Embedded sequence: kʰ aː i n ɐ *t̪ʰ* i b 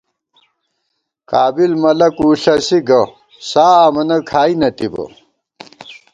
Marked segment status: incorrect: t̪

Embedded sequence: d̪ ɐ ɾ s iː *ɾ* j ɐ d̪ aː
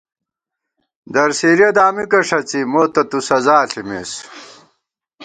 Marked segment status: correct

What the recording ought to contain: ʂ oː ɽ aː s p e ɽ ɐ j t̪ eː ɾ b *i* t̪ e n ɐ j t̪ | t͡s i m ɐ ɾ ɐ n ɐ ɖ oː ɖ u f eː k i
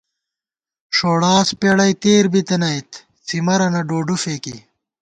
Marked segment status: correct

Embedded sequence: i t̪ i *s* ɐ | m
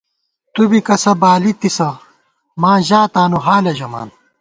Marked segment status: correct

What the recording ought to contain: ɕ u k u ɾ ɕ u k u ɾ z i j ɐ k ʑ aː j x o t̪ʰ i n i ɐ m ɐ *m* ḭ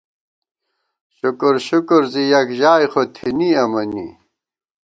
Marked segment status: incorrect: n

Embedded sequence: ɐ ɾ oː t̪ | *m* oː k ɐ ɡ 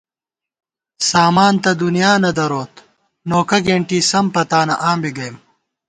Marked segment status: incorrect: n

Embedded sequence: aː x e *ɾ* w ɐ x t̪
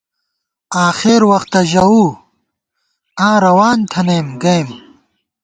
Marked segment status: correct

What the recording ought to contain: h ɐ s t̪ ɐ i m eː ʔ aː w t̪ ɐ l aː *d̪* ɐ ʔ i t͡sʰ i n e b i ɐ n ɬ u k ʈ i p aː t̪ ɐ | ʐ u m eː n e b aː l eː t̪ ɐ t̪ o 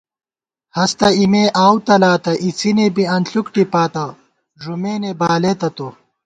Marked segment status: incorrect: t̪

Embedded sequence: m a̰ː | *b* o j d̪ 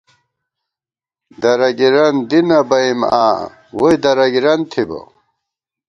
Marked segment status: incorrect: w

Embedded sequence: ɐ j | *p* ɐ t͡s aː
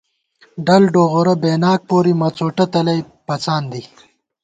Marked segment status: correct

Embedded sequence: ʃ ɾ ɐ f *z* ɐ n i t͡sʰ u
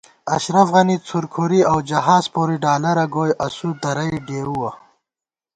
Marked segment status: incorrect: ɣ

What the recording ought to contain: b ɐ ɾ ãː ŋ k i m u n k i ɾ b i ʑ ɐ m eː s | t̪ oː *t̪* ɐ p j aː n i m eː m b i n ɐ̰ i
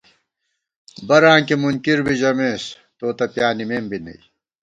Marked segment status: correct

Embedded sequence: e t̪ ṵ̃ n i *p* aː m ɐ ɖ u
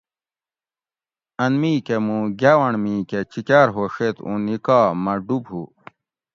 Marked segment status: incorrect: k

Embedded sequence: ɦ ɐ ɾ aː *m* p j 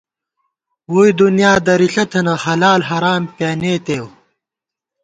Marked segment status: correct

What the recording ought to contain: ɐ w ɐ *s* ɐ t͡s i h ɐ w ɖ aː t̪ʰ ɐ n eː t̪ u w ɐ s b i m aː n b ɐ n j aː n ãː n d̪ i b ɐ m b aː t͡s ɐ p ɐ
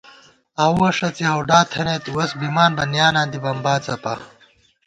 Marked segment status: incorrect: ʂ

